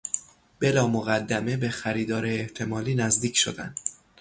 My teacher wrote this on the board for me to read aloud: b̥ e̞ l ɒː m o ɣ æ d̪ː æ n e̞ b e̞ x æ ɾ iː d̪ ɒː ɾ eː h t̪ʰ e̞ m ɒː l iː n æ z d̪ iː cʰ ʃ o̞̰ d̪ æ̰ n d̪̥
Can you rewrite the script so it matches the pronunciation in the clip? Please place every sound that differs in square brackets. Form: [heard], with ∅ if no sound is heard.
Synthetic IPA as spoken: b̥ e̞ l ɒː m o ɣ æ d̪ː æ [m] e̞ b e̞ x æ ɾ iː d̪ ɒː ɾ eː h t̪ʰ e̞ m ɒː l iː n æ z d̪ iː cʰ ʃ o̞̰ d̪ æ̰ n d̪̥